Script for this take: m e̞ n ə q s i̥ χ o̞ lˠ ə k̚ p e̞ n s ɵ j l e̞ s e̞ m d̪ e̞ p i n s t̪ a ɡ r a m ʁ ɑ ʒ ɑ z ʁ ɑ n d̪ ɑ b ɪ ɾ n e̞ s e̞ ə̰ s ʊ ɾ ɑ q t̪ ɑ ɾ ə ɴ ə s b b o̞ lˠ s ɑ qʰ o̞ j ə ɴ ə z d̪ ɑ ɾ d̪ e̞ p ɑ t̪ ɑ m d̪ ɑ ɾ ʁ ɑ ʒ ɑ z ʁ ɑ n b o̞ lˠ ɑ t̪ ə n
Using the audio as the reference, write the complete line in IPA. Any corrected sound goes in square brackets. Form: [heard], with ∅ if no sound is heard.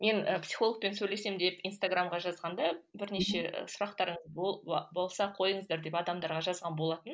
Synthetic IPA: m e̞ n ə [p] s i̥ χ o̞ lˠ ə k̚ p e̞ n s ɵ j l e̞ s e̞ m d̪ e̞ p i n s t̪ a ɡ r a m ʁ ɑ ʒ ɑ z ʁ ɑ n d̪ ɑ b ɪ ɾ n e̞ [ʃ] e̞ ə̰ s ʊ ɾ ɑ q t̪ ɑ ɾ ə ɴ ə [z] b b o̞ lˠ s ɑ qʰ o̞ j ə ɴ ə z d̪ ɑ ɾ d̪ e̞ p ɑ [d̪] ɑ m d̪ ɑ ɾ ʁ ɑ ʒ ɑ z ʁ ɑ n b o̞ lˠ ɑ t̪ ə n